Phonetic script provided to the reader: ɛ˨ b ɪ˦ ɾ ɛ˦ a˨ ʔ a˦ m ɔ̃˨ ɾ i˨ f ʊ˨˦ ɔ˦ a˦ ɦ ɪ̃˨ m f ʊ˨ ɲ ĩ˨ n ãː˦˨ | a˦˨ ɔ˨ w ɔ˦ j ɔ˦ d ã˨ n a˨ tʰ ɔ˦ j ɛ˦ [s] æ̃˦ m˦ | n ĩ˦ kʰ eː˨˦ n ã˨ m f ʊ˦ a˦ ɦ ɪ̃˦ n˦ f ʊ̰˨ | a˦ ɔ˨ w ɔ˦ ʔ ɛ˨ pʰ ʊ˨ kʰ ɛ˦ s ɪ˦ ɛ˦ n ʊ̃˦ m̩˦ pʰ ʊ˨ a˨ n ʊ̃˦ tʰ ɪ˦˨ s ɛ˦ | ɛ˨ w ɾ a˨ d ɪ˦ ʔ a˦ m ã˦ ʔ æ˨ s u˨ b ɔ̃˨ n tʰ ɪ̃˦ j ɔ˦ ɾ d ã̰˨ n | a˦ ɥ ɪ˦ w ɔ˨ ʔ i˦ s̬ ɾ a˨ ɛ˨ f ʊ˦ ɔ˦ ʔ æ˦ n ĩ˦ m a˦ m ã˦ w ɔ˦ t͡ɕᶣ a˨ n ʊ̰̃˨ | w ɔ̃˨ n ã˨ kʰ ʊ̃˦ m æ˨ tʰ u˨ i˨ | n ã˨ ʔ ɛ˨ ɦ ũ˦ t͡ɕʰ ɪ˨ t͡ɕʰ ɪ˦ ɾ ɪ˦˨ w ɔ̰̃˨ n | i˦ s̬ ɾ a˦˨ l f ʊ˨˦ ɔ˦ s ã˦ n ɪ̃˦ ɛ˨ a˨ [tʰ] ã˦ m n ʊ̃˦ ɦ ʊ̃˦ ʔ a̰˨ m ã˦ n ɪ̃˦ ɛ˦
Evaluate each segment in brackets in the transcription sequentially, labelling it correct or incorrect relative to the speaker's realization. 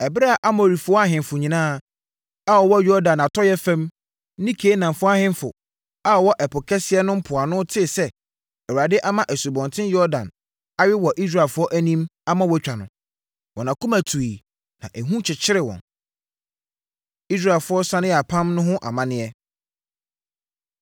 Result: incorrect: f, incorrect: pʰ

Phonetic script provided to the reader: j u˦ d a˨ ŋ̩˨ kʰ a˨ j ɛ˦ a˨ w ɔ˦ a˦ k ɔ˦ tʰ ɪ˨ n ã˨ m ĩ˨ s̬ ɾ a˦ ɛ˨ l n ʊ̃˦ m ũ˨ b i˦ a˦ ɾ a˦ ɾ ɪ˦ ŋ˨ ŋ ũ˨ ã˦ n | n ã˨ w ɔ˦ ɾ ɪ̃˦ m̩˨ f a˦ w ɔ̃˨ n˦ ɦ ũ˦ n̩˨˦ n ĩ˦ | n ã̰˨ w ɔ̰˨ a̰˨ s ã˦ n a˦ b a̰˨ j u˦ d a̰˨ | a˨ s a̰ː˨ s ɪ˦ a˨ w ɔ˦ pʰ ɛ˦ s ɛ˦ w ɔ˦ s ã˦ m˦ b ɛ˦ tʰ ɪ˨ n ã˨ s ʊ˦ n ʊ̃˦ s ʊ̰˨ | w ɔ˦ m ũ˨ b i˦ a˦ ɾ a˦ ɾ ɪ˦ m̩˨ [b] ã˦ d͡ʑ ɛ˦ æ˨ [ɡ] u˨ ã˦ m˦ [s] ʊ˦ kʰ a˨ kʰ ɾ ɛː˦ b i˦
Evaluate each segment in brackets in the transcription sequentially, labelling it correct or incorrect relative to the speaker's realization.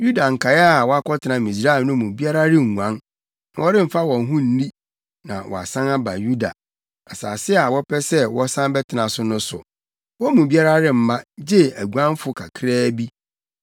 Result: incorrect: m, correct, incorrect: f

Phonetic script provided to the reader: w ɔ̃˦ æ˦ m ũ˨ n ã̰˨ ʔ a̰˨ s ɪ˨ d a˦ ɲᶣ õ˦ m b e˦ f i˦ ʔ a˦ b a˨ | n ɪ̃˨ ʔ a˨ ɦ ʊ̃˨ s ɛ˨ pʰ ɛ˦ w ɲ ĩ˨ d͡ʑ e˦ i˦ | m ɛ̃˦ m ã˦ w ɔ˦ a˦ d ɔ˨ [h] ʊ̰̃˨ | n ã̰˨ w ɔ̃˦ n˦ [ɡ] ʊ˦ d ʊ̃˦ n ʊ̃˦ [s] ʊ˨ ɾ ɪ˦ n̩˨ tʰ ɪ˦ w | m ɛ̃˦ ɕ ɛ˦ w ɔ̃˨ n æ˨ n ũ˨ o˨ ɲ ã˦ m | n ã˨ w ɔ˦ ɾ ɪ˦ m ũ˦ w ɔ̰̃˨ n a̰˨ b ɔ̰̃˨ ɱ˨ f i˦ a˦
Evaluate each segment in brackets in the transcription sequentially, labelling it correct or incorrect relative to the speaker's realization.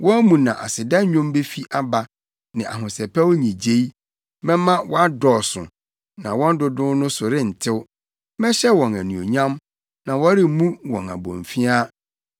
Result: incorrect: s, incorrect: d, correct

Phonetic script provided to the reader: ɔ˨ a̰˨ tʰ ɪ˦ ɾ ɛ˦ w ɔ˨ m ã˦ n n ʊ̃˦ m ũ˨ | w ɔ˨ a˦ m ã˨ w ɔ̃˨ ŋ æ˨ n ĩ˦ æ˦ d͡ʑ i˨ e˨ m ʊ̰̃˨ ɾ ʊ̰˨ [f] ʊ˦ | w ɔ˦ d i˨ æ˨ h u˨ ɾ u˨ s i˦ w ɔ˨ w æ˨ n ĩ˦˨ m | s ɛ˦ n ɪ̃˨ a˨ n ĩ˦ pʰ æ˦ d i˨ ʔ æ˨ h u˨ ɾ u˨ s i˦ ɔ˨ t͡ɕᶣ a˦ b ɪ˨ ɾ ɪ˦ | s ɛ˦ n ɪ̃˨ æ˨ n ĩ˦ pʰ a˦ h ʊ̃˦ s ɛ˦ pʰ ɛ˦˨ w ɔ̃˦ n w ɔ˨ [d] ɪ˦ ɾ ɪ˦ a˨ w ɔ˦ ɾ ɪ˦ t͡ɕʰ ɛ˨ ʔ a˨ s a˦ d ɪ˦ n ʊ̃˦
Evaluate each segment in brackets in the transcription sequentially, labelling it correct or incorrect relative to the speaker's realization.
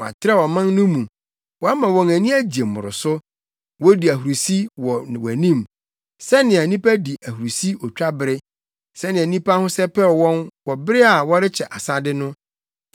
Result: incorrect: s, incorrect: b

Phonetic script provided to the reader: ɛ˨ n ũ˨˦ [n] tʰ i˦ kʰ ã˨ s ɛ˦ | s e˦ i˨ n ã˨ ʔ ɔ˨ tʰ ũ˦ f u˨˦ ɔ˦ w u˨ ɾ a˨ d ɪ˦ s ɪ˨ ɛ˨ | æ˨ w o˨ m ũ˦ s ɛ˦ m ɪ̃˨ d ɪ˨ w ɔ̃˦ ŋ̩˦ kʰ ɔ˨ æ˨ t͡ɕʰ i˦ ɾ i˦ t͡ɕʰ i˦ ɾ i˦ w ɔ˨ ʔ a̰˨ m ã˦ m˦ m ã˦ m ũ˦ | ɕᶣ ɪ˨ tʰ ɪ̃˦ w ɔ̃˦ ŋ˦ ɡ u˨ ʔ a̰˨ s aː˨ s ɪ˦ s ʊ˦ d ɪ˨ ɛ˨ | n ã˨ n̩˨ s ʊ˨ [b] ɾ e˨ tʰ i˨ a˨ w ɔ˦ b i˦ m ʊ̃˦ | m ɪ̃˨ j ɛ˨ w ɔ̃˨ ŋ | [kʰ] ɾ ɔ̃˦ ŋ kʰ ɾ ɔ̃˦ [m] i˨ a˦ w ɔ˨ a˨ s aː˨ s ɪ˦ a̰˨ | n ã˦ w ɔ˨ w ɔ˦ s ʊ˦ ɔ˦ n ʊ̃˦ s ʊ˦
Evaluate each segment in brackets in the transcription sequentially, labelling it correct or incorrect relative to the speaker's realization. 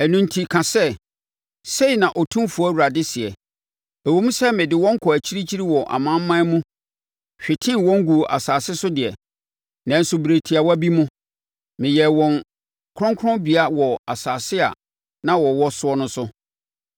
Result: correct, correct, correct, incorrect: b

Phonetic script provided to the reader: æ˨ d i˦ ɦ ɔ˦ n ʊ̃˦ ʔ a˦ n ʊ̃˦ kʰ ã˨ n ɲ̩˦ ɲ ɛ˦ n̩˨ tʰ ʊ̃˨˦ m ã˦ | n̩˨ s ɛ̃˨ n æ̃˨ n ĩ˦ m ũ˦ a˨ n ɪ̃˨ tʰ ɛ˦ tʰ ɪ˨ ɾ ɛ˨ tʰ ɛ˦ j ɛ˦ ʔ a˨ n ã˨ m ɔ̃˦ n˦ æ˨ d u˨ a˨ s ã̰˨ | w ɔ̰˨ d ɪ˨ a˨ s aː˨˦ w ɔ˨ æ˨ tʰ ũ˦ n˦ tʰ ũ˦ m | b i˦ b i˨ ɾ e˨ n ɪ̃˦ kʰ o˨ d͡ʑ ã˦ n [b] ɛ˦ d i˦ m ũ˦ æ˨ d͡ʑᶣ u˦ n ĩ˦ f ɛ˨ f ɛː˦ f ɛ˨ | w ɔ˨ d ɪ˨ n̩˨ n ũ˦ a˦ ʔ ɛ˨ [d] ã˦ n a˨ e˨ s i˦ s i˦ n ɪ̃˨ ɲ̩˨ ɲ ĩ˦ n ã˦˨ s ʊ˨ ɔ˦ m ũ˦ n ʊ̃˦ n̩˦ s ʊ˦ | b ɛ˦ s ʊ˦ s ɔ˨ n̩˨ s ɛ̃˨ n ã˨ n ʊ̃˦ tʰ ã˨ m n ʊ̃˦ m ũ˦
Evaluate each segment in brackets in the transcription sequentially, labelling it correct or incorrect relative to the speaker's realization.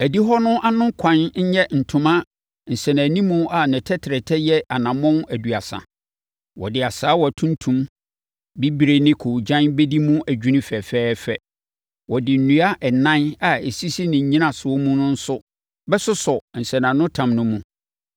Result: correct, incorrect: n

